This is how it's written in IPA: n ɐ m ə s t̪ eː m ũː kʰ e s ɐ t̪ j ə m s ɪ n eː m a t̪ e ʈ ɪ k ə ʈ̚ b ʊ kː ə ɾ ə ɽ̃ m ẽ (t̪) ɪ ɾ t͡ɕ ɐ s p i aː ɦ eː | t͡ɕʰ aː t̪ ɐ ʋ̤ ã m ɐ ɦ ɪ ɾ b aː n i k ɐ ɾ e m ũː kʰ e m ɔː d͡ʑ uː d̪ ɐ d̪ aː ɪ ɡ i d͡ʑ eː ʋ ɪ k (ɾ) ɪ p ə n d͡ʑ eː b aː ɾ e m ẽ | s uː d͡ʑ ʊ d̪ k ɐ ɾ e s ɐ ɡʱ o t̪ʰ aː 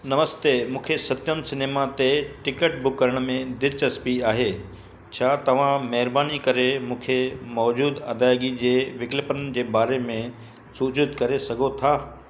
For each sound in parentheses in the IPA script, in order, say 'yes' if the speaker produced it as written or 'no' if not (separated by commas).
no, no